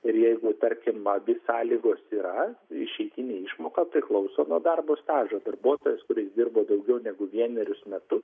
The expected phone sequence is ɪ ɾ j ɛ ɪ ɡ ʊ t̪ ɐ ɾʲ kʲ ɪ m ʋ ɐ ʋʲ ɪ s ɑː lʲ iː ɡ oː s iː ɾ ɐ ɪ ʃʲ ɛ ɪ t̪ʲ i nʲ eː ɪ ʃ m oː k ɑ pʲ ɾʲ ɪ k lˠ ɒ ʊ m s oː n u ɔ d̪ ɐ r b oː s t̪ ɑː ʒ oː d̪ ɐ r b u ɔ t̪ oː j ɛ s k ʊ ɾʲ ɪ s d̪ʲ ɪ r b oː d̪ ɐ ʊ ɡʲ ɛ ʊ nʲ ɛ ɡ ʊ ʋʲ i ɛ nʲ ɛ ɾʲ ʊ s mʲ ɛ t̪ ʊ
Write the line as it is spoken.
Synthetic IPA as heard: ɪ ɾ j ɛ ɪ ɡ ʊ t̪ ɐ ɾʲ kʲ ɪ m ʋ ɐ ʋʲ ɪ s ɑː lʲ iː ɡ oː s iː ɾ ɐ ɪ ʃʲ ɛ ɪ t̪ʲ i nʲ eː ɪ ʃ m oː k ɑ pʲ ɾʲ ɪ k lˠ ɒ ʊ s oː n u ɔ d̪ ɐ r b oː s t̪ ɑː ʒ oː d̪ ɐ r b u ɔ t̪ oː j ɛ s k ʊ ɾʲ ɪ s d̪ʲ ɪ r b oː d̪ ɐ ʊ ɡʲ ɛ ʊ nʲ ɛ ɡ ʊ ʋʲ i ɛ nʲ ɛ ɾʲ ʊ s mʲ ɛ t̪ ʊ